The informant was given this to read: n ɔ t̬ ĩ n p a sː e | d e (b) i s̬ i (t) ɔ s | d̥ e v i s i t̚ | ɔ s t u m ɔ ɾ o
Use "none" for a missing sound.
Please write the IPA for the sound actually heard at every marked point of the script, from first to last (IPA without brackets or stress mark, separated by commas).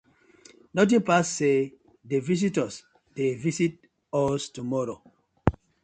v, t